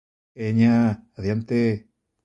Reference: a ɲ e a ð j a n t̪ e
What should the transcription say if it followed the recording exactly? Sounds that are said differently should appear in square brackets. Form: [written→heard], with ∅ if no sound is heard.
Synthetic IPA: [a→e] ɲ [e→a] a ð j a n t̪ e